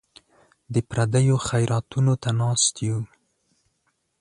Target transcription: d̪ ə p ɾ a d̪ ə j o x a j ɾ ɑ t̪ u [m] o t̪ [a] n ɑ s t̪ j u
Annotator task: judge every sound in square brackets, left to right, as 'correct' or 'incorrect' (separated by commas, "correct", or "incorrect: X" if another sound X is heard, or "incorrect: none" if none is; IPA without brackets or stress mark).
incorrect: n, correct